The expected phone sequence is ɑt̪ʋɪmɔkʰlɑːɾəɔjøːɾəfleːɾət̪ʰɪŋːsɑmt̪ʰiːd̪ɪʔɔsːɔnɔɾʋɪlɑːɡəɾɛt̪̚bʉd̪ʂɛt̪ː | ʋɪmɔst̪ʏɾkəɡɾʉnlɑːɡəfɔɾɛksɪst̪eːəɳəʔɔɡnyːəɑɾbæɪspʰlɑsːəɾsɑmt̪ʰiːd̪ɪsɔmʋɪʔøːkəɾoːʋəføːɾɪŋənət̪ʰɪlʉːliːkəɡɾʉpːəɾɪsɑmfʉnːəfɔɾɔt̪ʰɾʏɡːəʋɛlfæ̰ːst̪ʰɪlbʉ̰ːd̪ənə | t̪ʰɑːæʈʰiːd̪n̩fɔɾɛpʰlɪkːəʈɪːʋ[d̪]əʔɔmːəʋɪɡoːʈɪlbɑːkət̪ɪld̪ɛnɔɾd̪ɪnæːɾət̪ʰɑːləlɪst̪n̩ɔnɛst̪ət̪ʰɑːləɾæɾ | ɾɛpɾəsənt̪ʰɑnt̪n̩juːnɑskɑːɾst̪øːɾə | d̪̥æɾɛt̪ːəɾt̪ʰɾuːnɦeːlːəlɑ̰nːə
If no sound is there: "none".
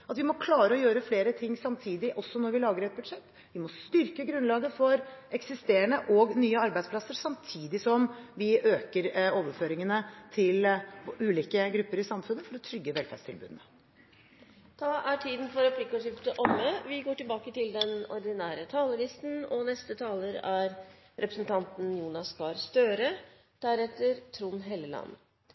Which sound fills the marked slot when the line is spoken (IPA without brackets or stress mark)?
t̪